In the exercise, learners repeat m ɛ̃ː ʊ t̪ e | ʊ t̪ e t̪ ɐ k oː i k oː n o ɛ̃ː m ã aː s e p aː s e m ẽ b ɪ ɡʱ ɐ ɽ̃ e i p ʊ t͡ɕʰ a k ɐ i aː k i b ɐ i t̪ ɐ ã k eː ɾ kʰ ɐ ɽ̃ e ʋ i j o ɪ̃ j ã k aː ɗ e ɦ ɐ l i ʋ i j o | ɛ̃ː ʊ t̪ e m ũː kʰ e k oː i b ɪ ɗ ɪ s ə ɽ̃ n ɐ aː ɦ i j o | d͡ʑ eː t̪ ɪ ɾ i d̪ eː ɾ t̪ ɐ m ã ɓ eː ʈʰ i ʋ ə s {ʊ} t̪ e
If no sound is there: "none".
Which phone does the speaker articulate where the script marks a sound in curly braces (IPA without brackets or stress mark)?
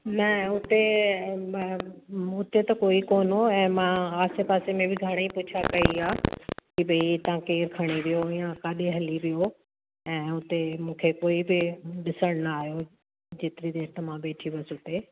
ʊ